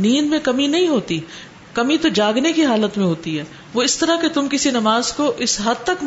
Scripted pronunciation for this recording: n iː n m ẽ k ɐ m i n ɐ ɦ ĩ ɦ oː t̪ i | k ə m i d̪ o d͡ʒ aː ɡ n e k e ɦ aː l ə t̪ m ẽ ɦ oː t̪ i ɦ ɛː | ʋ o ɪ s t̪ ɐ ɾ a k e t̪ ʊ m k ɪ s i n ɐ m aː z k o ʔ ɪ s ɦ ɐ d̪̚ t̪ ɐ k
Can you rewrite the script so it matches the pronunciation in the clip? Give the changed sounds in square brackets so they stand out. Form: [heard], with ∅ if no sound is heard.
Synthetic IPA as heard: n iː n m ẽ k ɐ m i n ɐ ɦ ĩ ɦ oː t̪ i | k [ɐ] m i [t̪] o d͡ʒ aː ɡ n e k [i] ɦ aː l ə t̪ m ẽ ɦ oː t̪ i ɦ ɛː | ʋ o ɪ s t̪ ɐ ɾ a k e t̪ ʊ m k ɪ s i n ɐ m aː z k o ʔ ɪ s ɦ ɐ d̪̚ t̪ ɐ k